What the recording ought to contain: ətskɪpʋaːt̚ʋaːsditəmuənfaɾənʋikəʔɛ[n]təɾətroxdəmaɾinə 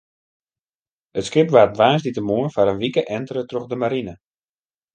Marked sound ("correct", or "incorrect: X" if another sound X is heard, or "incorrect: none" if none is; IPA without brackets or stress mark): correct